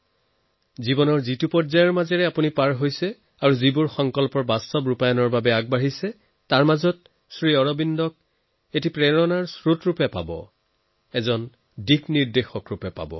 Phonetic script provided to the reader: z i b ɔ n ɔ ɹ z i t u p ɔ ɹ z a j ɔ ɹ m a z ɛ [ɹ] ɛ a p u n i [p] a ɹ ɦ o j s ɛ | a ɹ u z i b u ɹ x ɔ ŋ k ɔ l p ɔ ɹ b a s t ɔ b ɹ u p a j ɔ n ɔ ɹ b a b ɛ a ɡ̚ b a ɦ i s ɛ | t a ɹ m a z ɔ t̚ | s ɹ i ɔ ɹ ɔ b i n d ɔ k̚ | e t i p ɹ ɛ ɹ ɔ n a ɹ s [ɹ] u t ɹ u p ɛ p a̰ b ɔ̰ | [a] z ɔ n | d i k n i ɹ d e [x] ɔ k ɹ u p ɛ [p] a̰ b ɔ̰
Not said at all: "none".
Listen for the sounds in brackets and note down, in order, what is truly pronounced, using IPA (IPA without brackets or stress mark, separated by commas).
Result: ɹ, p, ɹ, ɛ, x, p